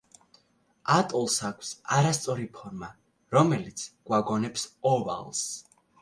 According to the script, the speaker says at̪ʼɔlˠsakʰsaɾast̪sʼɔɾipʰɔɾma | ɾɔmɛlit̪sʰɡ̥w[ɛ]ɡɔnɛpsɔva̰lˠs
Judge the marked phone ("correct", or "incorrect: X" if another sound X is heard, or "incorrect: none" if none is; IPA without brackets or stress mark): incorrect: a